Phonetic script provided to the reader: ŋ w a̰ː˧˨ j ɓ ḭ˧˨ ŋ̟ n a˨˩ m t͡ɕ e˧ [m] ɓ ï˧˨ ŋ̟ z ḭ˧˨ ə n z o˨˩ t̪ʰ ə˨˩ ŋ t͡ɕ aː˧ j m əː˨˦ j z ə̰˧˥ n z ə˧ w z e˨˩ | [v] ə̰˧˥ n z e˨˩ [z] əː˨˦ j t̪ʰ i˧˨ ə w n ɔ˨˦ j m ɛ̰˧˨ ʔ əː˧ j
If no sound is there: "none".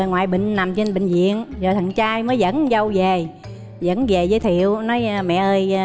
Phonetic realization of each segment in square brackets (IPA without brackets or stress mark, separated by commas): n, z, z